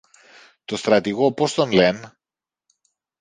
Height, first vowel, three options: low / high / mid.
mid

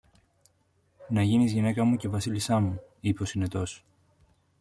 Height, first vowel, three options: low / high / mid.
low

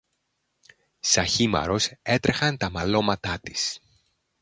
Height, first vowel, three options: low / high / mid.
low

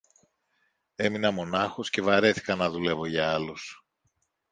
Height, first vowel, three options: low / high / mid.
mid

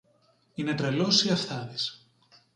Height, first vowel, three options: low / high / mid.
high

